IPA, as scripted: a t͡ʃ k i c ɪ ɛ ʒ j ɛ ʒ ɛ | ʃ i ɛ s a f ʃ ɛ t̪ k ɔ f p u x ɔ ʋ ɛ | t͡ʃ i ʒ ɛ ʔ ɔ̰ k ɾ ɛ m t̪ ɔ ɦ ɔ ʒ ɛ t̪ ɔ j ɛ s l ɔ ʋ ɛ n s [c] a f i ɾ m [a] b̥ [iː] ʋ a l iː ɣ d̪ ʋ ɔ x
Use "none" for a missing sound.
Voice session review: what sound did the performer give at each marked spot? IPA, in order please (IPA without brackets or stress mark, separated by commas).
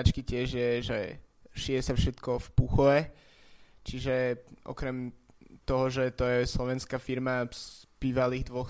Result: k, a, iː